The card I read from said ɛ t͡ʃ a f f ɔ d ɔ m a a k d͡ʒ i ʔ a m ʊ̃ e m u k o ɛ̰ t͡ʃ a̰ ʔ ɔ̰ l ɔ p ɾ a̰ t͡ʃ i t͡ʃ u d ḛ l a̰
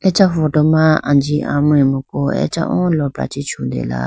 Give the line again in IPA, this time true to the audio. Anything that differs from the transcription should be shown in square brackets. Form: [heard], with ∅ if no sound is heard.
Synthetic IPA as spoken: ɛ t͡ʃ a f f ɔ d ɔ m a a [∅] d͡ʒ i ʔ a m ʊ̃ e m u k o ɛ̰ t͡ʃ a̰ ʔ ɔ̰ l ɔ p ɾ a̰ t͡ʃ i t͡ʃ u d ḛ l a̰